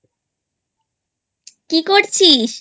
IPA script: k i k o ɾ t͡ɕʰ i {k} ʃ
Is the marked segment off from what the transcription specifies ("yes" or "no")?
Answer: yes